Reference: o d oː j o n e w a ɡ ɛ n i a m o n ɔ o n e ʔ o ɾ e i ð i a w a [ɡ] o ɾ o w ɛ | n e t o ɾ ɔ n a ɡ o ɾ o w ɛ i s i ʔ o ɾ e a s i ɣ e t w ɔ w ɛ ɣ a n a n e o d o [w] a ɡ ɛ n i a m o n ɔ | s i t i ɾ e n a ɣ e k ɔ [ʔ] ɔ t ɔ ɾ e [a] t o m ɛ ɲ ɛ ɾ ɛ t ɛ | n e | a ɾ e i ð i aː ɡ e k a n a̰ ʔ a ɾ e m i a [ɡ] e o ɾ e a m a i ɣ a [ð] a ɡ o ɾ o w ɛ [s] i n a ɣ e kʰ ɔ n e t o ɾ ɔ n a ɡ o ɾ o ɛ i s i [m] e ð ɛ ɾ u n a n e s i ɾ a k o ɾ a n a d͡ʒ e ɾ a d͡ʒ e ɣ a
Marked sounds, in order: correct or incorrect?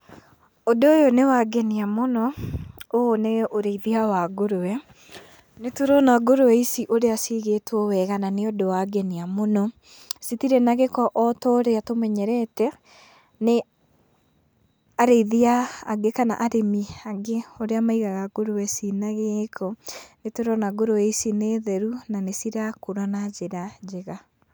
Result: correct, correct, correct, correct, correct, incorrect: ɣ, correct, incorrect: n

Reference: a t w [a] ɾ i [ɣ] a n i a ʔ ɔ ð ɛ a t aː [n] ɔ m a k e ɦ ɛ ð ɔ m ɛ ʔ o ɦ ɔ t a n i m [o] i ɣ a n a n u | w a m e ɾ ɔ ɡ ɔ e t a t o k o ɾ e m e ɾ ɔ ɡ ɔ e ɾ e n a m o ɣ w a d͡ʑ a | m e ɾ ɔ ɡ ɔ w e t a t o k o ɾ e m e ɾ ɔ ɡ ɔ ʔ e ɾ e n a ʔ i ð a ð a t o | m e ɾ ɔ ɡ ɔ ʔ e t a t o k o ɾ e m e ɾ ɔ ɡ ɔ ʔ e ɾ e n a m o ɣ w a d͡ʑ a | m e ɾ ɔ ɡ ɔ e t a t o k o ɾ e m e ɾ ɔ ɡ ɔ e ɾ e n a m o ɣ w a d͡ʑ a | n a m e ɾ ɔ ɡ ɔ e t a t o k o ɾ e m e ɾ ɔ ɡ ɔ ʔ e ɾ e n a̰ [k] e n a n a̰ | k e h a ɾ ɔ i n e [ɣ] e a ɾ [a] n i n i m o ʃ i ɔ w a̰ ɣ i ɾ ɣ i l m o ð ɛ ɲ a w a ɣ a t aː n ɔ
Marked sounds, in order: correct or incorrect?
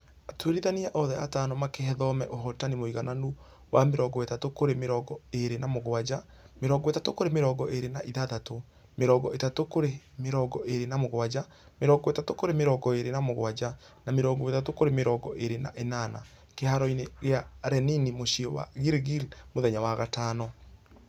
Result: incorrect: e, incorrect: ð, correct, correct, incorrect: ʔ, correct, incorrect: ɛ

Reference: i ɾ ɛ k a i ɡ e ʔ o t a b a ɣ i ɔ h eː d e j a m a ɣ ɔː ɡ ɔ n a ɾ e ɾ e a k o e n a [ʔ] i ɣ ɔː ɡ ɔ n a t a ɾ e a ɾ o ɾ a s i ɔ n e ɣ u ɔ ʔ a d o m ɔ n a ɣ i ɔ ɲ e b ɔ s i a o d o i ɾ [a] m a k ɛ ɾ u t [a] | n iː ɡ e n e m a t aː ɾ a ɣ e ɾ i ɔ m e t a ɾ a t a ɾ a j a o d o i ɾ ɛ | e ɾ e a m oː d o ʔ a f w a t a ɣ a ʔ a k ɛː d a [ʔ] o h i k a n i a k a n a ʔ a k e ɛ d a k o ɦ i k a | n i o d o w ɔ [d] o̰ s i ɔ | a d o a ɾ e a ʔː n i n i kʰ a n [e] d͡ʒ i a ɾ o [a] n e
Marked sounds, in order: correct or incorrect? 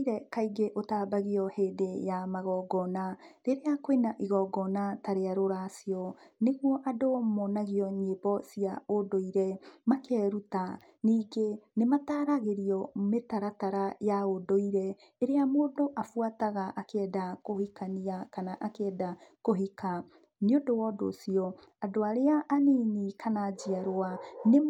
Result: correct, incorrect: ɛ, correct, incorrect: k, correct, incorrect: a, correct

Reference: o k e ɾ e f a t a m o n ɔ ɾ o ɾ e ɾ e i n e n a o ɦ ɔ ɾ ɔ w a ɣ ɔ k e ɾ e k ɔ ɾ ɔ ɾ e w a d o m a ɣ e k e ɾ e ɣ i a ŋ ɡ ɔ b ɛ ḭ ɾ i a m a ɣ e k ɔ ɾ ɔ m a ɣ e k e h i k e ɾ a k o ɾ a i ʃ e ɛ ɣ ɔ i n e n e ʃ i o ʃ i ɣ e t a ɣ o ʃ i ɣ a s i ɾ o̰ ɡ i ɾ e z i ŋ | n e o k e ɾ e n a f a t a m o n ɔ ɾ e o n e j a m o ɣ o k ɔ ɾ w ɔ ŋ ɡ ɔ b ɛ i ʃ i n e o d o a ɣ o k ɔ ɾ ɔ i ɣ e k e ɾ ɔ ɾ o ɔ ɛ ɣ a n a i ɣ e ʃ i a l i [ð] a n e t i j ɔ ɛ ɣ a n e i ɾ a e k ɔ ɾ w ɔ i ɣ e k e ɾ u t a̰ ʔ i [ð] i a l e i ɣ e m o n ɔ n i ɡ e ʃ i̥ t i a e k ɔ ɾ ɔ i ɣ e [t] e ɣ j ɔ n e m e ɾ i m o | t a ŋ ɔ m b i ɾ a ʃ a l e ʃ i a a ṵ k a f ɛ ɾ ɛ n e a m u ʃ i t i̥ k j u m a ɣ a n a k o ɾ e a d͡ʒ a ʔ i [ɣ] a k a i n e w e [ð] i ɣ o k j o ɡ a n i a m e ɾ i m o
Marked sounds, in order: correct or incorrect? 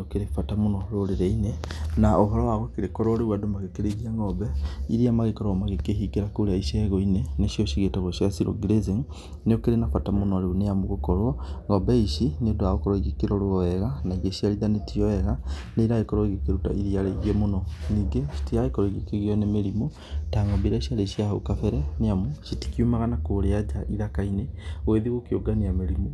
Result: correct, correct, incorrect: k, incorrect: ð, correct

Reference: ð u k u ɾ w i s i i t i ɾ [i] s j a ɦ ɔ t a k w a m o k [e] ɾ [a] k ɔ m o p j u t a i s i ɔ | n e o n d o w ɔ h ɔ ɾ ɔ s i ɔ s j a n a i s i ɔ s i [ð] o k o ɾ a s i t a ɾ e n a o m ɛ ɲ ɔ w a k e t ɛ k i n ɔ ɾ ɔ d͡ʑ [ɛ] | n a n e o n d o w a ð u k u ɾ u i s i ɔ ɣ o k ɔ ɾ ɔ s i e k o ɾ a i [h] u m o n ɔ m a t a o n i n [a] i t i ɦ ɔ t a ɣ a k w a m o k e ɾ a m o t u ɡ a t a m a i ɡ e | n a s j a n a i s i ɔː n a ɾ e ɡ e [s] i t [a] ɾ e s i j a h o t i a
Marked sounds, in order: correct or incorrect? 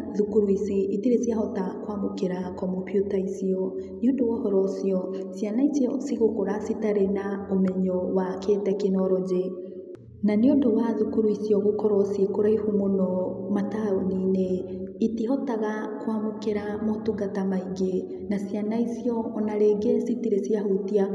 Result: incorrect: e, correct, correct, incorrect: ɣ, incorrect: e, correct, incorrect: e, correct, incorrect: i

